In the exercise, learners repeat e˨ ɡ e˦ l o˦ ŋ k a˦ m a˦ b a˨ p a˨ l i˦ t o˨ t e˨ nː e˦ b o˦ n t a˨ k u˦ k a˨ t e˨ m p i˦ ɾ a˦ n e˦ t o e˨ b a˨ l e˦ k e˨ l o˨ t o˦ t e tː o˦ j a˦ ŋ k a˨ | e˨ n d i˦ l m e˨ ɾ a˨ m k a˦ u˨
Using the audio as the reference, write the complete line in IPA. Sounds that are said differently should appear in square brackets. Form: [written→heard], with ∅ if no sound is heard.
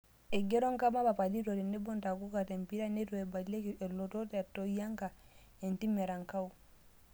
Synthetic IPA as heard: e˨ ɡ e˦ [l→ɾ] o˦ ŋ k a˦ m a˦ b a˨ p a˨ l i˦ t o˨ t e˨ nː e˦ b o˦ n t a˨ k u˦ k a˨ t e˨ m p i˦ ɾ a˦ n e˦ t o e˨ b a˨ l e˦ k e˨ l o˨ t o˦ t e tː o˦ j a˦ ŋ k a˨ | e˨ n [d→t] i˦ [l→∅] m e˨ ɾ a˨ [m→ŋ] k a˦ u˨